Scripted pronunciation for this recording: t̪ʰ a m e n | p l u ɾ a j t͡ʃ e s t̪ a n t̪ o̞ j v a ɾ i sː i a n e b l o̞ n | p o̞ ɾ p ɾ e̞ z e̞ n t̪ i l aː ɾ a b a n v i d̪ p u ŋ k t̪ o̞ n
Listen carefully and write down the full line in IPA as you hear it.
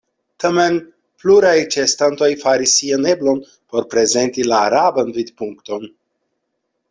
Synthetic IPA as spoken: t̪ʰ a m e n | p l u ɾ a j t͡ʃ e s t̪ a n t̪ o̞ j f a ɾ i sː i a n e b l o̞ n | p o̞ ɾ p ɾ e̞ z e̞ n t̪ i l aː ɾ a b a n v i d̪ p u ŋ k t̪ o̞ n

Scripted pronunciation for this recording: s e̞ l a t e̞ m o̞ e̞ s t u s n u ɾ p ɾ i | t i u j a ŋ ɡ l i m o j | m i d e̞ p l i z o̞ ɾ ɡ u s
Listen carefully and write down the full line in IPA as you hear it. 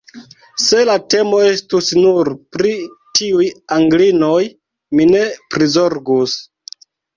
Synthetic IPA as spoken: s e̞ l a t e̞ m o̞ e̞ s t u s n u ɾ p ɾ i | t i u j a ŋ ɡ l i n o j | m i n e̞ p ɾ i z o̞ ɾ ɡ u s

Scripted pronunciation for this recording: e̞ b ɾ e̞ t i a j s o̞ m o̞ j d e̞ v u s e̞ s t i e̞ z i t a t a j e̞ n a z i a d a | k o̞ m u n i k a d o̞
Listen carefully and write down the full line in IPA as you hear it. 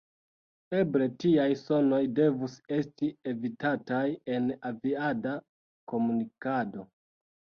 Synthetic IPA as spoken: e̞ b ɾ e̞ t i a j s o̞ n o̞ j d e̞ v u s e̞ s t i e̞ v i t a t a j e̞ n a v i a d a | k o̞ m u n i k a d o̞

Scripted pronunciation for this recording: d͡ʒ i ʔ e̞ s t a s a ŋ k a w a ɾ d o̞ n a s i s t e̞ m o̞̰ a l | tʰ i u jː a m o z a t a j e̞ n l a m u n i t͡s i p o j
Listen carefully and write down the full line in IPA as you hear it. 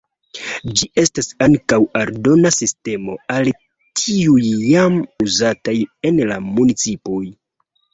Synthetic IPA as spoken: d͡ʒ i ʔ e̞ s t a s a ŋ k a w a ɾ d o̞ n a s i s t e̞ m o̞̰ a l | tʰ i u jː a m u z a t a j e̞ n l a m u n i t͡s i p o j

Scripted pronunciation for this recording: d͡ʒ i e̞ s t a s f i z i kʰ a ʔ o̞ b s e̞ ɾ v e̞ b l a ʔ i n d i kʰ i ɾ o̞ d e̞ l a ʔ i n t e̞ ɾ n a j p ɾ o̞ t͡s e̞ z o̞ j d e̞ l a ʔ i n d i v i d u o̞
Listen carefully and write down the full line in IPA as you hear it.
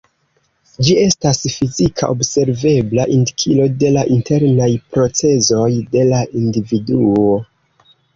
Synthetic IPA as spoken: d͡ʒ i e̞ s t a s f i z i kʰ a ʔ o̞ b s e̞ ɾ v e̞ b l a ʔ i n d i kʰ i l o̞ d e̞ l a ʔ i n t e̞ ɾ n a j p ɾ o̞ t͡s e̞ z o̞ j d e̞ l a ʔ i n d i v i d u o̞

